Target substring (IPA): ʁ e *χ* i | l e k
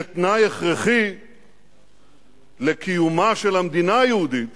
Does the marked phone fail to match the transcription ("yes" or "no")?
no